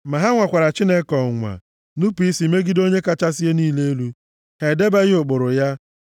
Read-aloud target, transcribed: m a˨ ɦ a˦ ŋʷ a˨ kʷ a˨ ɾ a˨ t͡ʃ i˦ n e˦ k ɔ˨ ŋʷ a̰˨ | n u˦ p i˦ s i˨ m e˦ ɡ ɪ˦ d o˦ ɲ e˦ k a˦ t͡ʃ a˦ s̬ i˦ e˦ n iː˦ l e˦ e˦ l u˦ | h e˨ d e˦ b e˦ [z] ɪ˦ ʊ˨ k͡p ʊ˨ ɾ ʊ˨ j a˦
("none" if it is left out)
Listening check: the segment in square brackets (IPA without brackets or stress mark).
ɣ